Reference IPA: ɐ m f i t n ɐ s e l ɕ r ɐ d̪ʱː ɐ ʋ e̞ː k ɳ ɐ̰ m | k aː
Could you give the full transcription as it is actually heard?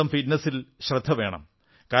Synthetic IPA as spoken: ɐ m f i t n ɐ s i l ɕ r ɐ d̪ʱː ɐ ʋ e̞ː ɳ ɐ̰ m | k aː